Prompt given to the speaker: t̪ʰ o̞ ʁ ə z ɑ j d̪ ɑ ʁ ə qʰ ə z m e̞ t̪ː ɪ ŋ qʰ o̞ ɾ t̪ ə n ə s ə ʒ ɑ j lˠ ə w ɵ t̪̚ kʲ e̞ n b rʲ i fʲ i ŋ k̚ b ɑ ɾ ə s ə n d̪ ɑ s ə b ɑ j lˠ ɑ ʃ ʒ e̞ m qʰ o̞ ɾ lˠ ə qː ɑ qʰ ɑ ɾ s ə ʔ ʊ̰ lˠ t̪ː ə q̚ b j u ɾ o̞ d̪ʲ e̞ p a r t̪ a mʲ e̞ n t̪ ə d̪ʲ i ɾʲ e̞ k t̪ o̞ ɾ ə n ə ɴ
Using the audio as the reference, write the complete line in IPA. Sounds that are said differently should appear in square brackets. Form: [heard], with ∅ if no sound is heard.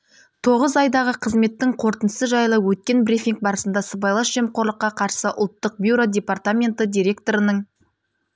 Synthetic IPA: t̪ʰ o̞ ʁ ə z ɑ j d̪ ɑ ʁ ə qʰ ə z m e̞ t̪ː ɪ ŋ qʰ o̞ ɾ t̪ ə n ə s ə ʒ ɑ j lˠ ə w ɵ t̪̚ kʲ e̞ n b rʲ i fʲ i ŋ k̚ b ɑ ɾ ə s ə n d̪ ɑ s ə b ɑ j lˠ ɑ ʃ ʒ e̞ m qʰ o̞ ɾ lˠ ə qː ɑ qʰ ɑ ɾ s ə ʔ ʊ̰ lˠ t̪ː ə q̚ b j u ɾ o̞ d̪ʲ e̞ p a r t̪ a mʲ e̞ n t̪ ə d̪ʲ i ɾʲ e̞ k t̪ o̞ ɾ ə n ə ɴ